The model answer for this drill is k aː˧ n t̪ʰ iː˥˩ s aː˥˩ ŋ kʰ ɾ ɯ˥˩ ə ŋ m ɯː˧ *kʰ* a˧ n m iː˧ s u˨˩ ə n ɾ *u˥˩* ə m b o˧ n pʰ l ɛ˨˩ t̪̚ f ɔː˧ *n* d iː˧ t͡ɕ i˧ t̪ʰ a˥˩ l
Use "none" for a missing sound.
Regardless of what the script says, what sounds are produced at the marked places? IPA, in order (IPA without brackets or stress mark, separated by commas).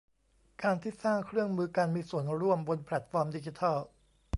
k, u˥˩, m